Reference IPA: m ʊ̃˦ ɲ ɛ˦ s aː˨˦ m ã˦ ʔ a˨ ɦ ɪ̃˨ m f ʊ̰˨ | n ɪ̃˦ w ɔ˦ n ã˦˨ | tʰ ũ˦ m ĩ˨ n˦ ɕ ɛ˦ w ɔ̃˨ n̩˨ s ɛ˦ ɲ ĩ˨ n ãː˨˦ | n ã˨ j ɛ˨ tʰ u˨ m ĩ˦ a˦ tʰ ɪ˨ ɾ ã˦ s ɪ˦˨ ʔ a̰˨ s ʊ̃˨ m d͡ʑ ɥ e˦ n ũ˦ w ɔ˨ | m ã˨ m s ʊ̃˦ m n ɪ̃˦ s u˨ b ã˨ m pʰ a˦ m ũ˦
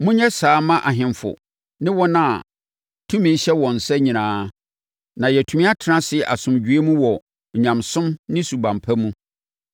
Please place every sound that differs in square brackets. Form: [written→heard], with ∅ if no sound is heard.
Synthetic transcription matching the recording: m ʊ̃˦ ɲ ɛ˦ s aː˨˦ m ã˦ ʔ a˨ ɦ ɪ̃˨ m f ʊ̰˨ | n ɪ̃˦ w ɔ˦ n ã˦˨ | tʰ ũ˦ m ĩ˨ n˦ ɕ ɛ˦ w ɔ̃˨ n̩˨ s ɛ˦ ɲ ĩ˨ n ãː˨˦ | n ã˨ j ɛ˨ tʰ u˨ m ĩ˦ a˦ tʰ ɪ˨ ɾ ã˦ s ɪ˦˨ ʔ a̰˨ s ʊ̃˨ m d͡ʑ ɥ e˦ [n→m] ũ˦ w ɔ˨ | [m→ɲ] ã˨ m s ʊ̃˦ m n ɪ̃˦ s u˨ b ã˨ m pʰ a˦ m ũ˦